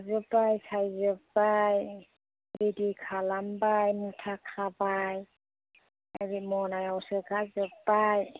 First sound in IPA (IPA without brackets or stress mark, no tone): z